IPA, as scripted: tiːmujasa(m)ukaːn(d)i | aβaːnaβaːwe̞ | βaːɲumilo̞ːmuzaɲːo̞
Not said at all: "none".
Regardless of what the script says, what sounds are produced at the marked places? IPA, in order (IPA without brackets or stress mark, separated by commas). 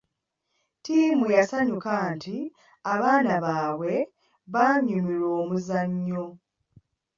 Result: ɲ, t